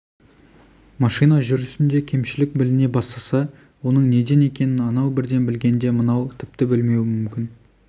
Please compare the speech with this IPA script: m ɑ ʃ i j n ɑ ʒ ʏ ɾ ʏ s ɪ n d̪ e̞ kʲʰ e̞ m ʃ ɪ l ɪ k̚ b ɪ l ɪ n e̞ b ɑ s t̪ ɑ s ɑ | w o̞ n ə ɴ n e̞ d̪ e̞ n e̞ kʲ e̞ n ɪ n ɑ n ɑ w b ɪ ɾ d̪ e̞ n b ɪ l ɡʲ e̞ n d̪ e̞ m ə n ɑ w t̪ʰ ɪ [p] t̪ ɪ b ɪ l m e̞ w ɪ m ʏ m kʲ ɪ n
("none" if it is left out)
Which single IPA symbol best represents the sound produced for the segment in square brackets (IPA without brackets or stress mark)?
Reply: p